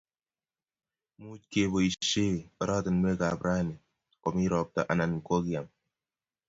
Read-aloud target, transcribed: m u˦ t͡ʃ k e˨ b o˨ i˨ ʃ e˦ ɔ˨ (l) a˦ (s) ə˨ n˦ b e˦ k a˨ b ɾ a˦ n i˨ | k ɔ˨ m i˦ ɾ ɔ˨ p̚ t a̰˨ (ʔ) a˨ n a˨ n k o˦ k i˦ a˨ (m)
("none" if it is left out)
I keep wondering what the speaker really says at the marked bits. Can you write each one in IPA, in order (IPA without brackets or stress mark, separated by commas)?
ɾ, t, ʔ, m